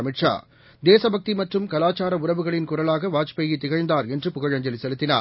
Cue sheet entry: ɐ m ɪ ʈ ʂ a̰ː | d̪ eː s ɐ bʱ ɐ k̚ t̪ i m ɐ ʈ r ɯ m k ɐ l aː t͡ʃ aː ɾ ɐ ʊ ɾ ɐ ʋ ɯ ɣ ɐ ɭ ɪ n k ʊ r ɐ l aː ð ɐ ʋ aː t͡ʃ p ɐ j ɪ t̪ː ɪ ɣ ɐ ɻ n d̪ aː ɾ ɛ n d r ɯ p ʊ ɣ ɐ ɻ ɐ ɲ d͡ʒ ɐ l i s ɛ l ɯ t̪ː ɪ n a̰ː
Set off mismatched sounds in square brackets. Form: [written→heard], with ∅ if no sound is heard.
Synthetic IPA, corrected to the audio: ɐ m ɪ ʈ ʂ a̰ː | d̪ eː s ɐ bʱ ɐ k̚ t̪ i m ɐ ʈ r ɯ m k ɐ l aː t͡ʃ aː ɾ ɐ ʊ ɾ ɐ ʋ ɯ ɣ ɐ ɭ ɪ n k ʊ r ɐ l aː [ð→ɣ] ɐ ʋ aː t͡ʃ p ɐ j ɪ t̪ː ɪ ɣ ɐ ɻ n d̪ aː ɾ ɛ n d r ɯ p ʊ ɣ ɐ ɻ ɐ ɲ d͡ʒ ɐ l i s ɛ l ɯ t̪ː ɪ n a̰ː